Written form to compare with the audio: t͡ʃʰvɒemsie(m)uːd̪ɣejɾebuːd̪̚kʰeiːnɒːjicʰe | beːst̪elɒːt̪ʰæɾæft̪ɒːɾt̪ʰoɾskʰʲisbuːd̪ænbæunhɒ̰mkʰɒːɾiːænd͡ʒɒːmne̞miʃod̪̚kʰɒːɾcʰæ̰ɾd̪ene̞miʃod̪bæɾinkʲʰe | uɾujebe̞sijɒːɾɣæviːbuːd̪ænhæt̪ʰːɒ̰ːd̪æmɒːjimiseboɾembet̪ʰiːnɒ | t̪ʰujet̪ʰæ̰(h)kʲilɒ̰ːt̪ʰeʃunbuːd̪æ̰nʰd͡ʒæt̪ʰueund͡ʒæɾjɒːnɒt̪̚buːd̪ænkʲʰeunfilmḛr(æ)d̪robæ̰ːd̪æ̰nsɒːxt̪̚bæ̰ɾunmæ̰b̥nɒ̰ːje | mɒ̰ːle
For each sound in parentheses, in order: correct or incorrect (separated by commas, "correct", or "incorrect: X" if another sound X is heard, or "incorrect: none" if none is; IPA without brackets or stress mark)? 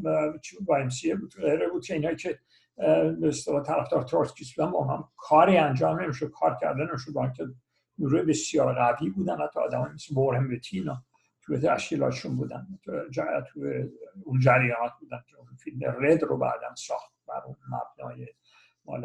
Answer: incorrect: b, incorrect: ʃ, incorrect: e